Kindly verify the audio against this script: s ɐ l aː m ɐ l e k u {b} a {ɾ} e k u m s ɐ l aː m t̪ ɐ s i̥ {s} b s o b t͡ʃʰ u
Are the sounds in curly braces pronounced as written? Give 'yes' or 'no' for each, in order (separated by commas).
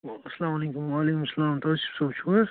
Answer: no, no, no